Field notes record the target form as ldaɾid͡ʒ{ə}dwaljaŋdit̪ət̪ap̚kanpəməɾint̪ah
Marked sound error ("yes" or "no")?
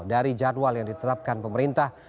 yes